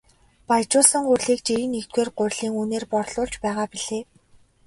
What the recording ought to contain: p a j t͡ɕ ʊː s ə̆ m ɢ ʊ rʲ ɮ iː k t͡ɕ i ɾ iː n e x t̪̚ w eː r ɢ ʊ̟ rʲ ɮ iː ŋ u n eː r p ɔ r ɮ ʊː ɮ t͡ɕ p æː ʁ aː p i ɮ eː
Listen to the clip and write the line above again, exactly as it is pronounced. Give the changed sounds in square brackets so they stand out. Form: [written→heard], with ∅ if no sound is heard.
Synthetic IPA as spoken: p a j t͡ɕ ʊː s ə̆ [m→ŋ] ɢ ʊ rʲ ɮ iː k t͡ɕ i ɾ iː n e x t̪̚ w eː r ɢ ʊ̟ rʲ ɮ iː ŋ u n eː r p ɔ r ɮ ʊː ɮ t͡ɕ p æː ʁ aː p i ɮ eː